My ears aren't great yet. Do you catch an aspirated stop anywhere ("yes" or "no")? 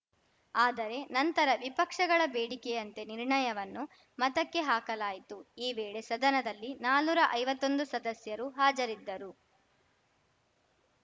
no